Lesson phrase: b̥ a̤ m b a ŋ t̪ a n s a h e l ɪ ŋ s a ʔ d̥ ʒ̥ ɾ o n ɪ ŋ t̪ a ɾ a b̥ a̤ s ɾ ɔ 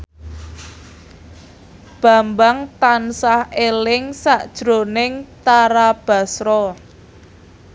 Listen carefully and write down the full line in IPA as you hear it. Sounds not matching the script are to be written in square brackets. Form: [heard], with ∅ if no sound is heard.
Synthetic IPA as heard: b̥ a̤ m b a ŋ t̪ a n s a h e l ɪ ŋ s a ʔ d̥ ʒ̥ ɾ o n ɪ ŋ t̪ a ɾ a b̥ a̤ s ɾ ɔ